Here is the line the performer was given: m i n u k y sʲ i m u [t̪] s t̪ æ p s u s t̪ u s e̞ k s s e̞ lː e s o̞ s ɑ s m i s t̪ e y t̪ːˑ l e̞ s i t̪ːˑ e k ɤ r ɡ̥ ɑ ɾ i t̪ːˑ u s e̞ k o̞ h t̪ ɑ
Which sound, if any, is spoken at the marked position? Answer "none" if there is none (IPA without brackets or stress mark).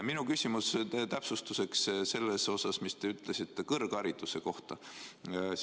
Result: none